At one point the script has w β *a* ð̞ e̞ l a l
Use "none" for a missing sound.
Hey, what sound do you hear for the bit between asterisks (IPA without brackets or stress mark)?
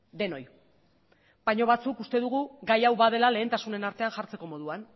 a